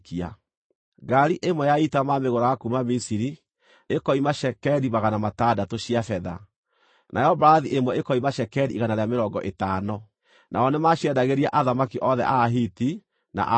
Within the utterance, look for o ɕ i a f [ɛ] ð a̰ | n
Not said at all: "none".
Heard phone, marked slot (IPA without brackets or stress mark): ɛ